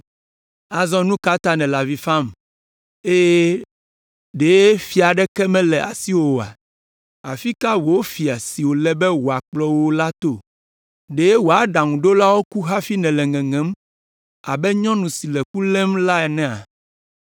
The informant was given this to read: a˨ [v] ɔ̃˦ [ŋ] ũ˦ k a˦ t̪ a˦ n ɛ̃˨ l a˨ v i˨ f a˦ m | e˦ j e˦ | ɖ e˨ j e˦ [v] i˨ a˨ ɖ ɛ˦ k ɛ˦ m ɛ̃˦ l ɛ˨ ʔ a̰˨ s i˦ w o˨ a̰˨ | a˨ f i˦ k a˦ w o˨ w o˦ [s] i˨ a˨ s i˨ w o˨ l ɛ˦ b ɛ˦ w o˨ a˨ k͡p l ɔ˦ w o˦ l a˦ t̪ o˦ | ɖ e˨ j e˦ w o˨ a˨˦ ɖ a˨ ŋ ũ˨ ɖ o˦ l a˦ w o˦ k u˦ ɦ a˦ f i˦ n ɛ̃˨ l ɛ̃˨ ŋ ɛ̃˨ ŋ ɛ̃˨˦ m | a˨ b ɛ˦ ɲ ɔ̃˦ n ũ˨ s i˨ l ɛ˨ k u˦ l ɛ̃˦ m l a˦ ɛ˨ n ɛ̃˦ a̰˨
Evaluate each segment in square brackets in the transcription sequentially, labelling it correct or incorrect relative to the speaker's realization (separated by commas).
incorrect, incorrect, incorrect, incorrect